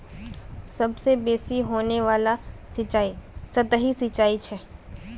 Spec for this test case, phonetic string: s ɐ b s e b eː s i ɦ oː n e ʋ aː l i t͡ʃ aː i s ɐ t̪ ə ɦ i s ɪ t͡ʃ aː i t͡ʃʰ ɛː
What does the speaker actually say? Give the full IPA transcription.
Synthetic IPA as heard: s ɐ b s e b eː s i ɦ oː n e ʋ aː l a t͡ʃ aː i s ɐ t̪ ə ɦ i s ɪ t͡ʃ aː i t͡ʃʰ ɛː

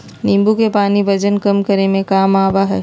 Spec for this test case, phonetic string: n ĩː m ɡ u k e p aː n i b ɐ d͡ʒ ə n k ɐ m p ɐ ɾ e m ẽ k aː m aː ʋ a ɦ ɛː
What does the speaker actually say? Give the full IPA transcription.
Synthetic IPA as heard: n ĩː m b u k e p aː n i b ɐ d͡ʒ ə n k ɐ m k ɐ ɾ e m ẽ k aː m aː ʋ a ɦ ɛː

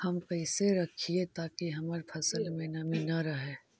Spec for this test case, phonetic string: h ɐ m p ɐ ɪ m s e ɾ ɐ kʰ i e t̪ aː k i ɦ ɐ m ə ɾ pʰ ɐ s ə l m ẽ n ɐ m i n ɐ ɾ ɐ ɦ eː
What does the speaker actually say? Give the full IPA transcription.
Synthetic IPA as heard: h ɐ m p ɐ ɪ s e ɾ ɐ kʰ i e t̪ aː k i ɦ ɐ m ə ɾ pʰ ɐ s ə l m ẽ n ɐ m i n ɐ ɾ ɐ ɦ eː

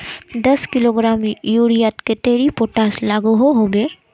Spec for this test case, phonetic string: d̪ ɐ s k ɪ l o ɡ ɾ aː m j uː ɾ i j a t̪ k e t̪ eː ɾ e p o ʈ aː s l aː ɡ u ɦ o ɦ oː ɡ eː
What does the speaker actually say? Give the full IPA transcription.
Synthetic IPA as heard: d̪ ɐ s k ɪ l o ɡ ɾ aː m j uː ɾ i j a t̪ k e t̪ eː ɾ i p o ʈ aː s l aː ɡ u ɦ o ɦ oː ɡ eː

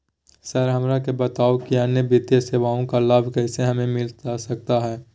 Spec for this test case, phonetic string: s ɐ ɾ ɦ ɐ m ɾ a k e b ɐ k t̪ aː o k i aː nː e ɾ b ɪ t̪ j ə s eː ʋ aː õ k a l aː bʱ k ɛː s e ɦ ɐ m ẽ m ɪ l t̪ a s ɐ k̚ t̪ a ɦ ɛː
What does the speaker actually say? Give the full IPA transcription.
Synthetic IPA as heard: s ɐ ɾ ɦ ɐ m ɾ a k e b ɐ t̪ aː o k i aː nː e b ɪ t̪ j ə s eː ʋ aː õ k a l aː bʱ k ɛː s e ɦ ɐ m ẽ m ɪ l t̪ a s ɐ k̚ t̪ a ɦ ɛː

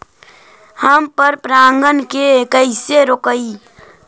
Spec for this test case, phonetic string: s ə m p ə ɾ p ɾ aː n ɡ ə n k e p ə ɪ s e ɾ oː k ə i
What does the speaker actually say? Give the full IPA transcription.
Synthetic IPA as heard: h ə m p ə ɾ p ɾ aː ŋ ɡ ə n k e k ə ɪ s e ɾ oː k ə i

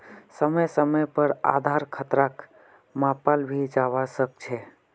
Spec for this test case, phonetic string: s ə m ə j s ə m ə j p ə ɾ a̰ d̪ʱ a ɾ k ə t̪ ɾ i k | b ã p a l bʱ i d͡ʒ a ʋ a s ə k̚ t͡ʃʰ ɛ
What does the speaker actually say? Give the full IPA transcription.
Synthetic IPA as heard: s ə m ə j s ə m ə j p ə ɾ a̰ d̪ʱ a ɾ kʰ ə t̪ ɾ a k | m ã p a l bʱ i d͡ʒ a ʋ a s ə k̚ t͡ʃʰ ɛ

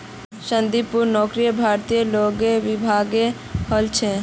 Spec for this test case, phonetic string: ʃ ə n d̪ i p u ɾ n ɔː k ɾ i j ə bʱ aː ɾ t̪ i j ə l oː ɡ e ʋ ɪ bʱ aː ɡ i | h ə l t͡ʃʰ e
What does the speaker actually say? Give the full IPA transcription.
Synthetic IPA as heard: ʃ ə n d̪ i p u ɾ n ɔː k ɾ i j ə bʱ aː ɾ t̪ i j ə l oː ɡ e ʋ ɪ bʱ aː ɡ e | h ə l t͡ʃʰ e

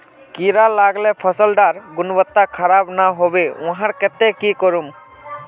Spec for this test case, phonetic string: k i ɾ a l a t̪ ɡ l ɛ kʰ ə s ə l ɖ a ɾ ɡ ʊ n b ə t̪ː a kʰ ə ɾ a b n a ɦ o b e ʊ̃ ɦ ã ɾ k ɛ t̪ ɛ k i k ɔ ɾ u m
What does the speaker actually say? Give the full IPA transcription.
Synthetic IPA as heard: k i ɾ a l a ɡ l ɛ pʰ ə s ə l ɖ a ɾ ɡ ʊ n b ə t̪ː a kʰ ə ɾ a b n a ɦ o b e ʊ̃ ɦ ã ɾ k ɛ t̪ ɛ k i k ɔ ɾ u m

